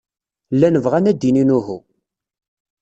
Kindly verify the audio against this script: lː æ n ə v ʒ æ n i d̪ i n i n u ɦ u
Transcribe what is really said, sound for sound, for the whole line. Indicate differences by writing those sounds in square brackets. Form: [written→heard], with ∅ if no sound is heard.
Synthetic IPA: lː æ n ə v [ʒ→ʁ] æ n [i→æ] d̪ i n i n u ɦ u